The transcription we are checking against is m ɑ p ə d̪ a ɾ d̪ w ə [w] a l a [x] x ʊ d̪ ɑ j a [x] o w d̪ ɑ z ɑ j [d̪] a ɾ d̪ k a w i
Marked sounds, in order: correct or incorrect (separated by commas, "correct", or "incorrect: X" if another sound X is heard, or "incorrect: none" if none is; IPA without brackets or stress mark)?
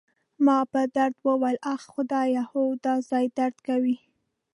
correct, correct, incorrect: h, correct